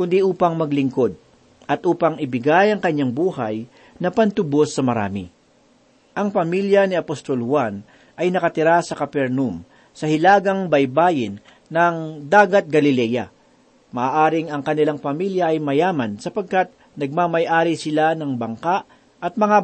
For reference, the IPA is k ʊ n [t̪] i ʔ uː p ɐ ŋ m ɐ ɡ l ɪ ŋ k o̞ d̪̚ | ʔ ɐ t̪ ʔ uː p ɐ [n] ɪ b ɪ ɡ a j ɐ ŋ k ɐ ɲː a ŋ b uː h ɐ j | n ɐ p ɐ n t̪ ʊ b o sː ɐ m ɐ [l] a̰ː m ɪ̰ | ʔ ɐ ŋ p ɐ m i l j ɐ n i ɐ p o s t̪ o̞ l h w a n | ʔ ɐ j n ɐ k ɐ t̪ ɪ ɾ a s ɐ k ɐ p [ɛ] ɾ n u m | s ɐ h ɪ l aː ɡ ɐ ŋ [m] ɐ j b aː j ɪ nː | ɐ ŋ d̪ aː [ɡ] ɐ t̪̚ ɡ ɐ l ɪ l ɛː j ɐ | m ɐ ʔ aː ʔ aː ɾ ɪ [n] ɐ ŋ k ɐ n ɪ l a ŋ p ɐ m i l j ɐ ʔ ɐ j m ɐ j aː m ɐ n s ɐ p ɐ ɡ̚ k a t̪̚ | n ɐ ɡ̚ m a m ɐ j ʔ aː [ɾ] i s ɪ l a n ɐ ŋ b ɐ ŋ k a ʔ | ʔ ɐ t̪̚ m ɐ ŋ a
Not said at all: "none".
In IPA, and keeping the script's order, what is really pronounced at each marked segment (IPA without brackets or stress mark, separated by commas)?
d̪, ŋ, ɾ, ɛ, b, ɡ, ŋ, ɾ